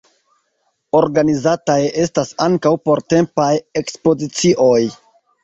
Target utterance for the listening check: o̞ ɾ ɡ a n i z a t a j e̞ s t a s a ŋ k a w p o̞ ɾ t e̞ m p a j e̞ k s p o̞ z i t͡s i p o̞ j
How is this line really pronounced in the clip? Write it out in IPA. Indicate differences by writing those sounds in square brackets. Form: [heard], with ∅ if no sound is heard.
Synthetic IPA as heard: o̞ ɾ ɡ a n i z a t a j e̞ s t a s a ŋ k a w p o̞ ɾ t e̞ m p a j e̞ k s p o̞ z i t͡s i [ʔ] o̞ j